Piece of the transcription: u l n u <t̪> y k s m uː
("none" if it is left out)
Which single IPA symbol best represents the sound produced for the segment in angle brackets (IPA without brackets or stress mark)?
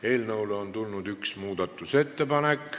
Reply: d̪